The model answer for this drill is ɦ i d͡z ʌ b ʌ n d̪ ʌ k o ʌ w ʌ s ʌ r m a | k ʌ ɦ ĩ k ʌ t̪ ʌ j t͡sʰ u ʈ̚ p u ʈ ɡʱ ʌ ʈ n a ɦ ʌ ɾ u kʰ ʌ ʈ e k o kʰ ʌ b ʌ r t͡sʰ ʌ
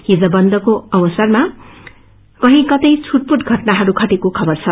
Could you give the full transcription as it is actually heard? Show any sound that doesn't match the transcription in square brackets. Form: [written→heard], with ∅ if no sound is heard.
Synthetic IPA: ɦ i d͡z ʌ b ʌ n d̪ ʌ k o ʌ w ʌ s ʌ r m a | k ʌ ɦ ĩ k ʌ t̪ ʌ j t͡sʰ u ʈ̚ p u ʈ ɡʱ ʌ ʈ n a ɦ ʌ ɾ u kʰ ʌ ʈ e k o kʰ ʌ b ʌ r t͡sʰ ʌ